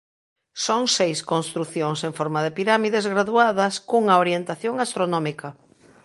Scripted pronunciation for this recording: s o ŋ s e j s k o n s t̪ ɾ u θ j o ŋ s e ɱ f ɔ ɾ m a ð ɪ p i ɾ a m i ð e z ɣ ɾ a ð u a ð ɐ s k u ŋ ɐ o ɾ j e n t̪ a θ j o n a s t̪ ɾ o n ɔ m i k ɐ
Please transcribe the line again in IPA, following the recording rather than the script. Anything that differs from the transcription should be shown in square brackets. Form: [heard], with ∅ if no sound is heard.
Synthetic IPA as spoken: s o ŋ s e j s k o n s t̪ ɾ u θ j o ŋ s e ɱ f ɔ ɾ m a ð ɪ p i ɾ a m i ð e z ɣ ɾ a ð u a ð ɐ s k u ŋ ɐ o ɾ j e n t̪ a θ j o [ŋ] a s t̪ ɾ o n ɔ m i k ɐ